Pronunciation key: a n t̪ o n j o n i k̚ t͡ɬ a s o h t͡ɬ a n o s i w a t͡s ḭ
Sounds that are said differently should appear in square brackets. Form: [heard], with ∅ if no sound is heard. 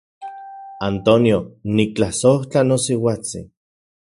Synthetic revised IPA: a n t̪ o n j o n i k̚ t͡ɬ a s o h t͡ɬ a n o s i w a t͡s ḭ